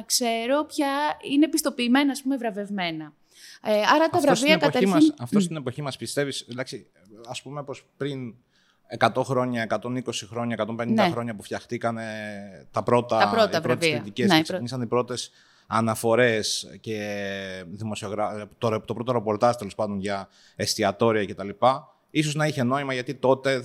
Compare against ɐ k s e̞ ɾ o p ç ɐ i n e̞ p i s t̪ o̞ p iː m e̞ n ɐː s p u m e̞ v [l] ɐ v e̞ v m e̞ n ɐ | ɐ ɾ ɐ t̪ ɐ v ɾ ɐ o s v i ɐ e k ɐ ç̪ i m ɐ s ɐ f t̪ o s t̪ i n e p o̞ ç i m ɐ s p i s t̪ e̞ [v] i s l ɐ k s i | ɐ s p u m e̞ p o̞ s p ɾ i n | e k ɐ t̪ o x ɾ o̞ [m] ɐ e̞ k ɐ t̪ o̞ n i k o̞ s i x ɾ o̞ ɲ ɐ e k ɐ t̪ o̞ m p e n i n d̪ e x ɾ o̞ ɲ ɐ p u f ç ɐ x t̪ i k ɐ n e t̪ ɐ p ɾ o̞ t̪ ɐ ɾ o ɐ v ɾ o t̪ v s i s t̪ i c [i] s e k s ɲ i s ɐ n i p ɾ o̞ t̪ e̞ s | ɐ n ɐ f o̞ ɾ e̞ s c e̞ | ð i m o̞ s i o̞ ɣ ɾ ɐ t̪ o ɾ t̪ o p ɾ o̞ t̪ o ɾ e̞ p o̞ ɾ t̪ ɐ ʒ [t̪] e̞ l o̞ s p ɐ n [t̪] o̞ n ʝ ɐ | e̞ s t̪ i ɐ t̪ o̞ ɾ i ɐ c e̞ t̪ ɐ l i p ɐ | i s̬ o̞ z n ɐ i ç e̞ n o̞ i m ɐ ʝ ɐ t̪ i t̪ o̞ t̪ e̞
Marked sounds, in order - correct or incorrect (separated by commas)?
incorrect, correct, incorrect, incorrect, correct, incorrect